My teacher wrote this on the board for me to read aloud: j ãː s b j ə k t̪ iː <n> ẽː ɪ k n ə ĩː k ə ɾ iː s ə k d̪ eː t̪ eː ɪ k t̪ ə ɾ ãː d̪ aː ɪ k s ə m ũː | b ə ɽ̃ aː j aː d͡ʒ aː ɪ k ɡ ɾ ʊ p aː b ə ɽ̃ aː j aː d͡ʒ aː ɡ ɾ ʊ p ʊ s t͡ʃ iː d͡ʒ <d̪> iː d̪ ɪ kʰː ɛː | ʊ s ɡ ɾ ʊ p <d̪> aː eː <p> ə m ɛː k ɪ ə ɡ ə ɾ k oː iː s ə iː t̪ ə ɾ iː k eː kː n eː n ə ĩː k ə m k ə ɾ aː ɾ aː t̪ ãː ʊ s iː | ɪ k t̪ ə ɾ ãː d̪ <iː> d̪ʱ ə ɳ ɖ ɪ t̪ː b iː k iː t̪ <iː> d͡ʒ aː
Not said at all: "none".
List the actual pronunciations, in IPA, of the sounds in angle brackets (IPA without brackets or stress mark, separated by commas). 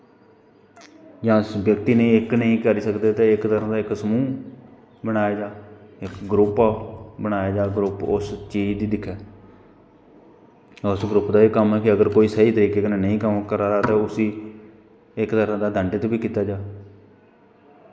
n, d̪, d̪, k, aː, aː